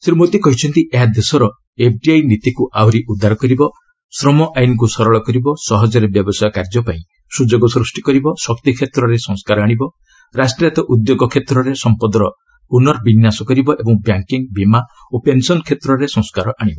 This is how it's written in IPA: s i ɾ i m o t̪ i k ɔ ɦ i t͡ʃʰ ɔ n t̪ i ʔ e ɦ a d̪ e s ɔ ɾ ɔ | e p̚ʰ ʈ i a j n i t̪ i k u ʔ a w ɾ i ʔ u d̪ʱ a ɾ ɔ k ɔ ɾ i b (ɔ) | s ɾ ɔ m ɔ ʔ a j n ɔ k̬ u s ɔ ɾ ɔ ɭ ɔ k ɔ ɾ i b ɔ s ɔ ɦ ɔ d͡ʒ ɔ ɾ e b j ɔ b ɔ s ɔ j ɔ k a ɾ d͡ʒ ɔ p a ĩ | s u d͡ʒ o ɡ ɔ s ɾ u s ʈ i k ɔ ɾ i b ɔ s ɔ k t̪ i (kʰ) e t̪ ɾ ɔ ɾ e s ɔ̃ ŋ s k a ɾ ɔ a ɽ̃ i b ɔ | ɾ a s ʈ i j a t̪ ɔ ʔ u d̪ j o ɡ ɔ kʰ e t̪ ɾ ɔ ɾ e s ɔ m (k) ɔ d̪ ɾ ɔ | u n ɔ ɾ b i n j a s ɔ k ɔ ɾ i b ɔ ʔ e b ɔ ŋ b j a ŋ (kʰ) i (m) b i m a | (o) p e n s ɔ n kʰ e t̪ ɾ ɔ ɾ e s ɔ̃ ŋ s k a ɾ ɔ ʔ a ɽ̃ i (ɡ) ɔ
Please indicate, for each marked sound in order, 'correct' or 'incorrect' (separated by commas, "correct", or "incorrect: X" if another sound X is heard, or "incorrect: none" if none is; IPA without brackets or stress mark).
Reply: correct, correct, incorrect: p, incorrect: k, incorrect: ŋ, correct, incorrect: b